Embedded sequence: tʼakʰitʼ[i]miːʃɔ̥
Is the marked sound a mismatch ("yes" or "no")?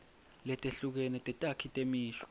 yes